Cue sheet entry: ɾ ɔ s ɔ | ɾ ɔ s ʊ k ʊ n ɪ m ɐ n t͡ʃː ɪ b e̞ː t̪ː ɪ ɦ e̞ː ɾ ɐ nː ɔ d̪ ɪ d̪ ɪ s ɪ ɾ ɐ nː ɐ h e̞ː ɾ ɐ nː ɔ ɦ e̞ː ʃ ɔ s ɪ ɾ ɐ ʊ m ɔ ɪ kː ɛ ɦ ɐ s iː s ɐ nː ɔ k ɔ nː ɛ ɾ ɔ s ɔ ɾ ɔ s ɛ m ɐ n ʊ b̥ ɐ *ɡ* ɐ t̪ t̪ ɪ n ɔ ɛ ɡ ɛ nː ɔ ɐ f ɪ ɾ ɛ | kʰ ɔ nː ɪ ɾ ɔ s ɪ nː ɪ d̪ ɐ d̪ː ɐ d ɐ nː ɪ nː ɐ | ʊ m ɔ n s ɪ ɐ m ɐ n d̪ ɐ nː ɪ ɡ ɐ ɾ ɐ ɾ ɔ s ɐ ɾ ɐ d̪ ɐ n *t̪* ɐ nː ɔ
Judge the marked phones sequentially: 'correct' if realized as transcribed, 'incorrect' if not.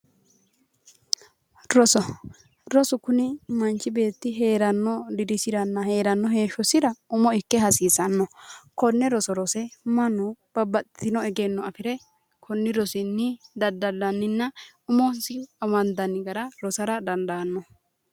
incorrect, incorrect

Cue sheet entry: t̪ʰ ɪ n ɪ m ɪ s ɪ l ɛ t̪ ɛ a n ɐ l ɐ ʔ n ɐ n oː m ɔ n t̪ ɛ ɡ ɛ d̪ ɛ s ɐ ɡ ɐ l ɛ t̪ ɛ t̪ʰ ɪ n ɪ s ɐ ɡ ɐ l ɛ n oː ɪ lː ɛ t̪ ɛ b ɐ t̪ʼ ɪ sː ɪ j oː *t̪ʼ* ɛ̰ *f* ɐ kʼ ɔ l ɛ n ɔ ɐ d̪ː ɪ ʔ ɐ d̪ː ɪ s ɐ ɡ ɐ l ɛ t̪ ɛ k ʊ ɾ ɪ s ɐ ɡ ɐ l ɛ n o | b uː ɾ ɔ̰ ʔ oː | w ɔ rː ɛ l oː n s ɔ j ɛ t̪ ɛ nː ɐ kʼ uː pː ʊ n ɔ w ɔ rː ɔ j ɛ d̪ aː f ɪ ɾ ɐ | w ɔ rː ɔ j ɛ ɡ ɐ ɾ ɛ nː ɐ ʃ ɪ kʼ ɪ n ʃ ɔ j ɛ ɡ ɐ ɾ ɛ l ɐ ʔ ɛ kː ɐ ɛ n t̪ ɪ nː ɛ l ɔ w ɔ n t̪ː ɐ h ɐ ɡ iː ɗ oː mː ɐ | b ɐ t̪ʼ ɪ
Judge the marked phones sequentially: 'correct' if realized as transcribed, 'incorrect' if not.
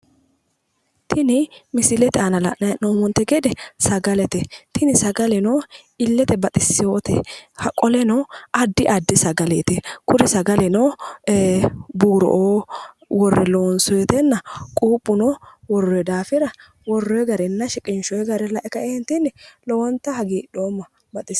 incorrect, incorrect

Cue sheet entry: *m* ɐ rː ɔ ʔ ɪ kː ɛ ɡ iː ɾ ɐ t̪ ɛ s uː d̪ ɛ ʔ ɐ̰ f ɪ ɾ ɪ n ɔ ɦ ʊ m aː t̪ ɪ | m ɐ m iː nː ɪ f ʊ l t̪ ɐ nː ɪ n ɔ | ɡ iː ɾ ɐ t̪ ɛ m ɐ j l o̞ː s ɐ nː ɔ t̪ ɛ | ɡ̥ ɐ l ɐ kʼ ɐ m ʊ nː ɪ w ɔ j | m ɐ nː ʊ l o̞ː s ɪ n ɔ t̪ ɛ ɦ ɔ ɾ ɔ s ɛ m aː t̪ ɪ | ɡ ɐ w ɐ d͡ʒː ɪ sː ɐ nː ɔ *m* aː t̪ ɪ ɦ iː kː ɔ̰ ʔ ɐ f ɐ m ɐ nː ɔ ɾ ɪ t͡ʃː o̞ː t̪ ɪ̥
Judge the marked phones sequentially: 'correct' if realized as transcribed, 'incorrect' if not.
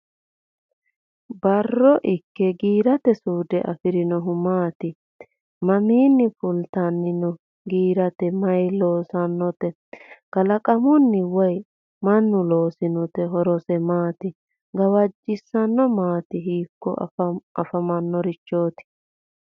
incorrect, correct

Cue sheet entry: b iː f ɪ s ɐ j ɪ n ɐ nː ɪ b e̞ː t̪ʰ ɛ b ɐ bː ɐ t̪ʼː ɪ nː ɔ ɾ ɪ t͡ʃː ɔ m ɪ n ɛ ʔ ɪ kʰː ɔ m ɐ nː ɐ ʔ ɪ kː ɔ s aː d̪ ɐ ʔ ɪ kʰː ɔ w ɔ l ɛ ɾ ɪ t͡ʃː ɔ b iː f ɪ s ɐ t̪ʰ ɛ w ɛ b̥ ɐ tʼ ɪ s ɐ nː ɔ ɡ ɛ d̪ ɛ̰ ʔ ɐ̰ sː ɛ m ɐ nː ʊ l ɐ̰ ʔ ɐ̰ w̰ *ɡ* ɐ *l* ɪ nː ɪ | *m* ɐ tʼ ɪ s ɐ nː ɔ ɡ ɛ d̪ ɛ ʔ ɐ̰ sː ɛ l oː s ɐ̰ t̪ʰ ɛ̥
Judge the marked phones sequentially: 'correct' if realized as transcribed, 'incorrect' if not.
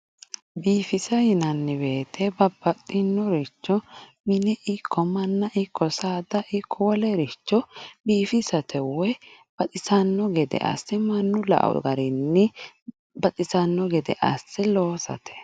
correct, incorrect, incorrect

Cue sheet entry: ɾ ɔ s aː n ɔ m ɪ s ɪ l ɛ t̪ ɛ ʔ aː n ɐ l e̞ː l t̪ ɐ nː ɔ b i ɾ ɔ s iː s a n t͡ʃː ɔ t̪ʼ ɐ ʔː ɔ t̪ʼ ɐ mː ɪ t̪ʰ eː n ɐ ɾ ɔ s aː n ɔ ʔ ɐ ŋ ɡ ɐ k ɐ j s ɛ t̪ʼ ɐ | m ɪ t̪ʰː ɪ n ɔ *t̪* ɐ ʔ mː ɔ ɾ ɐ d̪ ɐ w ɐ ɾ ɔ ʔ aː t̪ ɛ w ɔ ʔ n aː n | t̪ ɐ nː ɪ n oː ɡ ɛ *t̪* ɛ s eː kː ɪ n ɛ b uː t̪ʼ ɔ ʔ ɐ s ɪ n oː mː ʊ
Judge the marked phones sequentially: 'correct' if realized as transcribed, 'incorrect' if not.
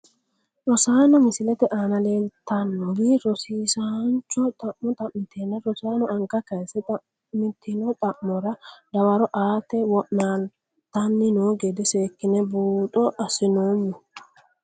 incorrect, incorrect

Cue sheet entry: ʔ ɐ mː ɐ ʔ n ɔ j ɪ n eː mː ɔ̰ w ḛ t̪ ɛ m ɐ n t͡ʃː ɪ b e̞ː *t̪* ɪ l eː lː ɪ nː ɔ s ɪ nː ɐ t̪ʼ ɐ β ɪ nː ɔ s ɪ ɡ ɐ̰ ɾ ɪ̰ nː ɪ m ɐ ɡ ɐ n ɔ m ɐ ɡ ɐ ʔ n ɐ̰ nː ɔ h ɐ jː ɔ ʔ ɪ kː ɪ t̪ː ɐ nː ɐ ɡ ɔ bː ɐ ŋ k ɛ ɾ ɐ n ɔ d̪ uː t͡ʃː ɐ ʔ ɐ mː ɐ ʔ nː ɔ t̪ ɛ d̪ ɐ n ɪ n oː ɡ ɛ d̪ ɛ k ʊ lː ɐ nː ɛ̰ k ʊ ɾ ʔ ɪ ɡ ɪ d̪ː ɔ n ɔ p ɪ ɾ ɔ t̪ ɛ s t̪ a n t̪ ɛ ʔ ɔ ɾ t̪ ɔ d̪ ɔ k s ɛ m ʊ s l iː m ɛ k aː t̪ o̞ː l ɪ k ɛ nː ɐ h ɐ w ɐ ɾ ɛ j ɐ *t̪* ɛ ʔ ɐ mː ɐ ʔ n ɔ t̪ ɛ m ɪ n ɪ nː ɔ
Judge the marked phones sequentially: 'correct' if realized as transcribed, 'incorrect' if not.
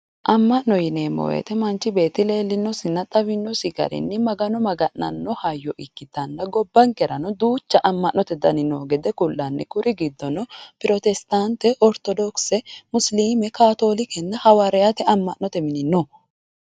correct, correct

